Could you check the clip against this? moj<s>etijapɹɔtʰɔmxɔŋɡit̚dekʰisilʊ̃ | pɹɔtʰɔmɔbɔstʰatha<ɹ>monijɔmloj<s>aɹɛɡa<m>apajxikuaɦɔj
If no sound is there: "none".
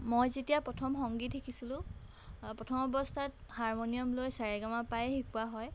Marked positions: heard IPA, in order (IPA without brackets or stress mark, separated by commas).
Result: z, ɹ, s, m